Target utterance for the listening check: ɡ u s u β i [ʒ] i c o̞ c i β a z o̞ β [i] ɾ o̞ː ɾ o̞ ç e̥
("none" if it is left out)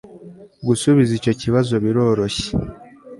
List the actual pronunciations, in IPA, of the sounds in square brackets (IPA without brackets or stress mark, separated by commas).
z, i